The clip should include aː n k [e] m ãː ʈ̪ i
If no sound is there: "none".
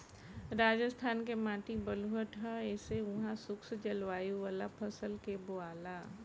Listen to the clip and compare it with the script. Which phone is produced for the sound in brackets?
e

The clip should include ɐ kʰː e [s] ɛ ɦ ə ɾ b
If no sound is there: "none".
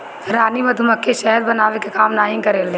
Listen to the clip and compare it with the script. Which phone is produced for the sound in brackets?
ʃ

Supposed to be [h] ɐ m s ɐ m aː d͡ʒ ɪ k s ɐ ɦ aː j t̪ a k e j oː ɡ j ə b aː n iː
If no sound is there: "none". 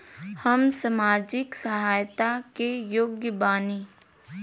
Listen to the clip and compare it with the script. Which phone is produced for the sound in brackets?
h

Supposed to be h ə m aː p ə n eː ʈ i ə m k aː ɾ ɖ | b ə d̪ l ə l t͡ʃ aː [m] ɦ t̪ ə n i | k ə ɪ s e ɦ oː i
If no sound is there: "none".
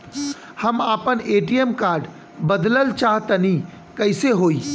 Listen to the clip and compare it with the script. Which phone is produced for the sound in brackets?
none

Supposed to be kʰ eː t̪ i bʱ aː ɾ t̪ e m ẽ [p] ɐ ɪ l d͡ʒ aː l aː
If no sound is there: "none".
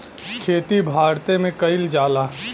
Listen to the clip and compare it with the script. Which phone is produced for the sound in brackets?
k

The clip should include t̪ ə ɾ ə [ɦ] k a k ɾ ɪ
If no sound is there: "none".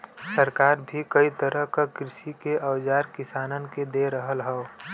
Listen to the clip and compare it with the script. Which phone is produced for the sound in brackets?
ɦ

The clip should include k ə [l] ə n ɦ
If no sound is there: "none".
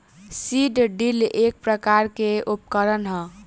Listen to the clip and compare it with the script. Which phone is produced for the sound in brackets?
ɾ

